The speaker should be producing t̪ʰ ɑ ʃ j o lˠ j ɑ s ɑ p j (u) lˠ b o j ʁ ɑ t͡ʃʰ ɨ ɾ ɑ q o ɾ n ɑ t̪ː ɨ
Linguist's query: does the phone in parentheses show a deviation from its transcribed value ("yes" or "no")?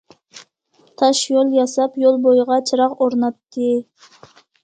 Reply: yes